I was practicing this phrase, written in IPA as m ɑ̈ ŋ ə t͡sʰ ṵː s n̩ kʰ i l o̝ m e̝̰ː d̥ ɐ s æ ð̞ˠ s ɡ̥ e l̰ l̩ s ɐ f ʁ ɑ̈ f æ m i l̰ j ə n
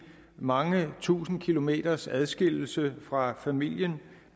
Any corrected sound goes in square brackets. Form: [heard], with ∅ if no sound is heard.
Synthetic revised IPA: m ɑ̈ ŋ ə t͡sʰ ṵː s n̩ kʰ i l o̝ m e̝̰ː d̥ ɐ s æ ð̞ˠ s ɡ̥ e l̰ l̩ s [ə] f ʁ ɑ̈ f æ m i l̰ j ə n